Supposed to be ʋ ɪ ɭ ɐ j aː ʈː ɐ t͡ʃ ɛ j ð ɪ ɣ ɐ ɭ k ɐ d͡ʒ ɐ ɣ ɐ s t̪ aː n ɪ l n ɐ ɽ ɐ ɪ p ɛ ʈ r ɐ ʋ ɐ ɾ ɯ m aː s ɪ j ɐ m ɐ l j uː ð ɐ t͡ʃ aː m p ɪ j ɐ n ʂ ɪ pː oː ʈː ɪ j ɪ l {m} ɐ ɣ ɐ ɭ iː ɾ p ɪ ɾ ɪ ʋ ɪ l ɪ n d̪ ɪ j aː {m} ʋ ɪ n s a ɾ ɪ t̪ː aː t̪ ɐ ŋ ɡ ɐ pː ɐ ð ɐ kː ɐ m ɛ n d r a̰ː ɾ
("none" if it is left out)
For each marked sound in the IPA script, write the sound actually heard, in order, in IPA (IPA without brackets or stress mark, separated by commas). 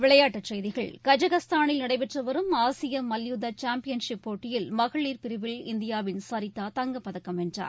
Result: m, none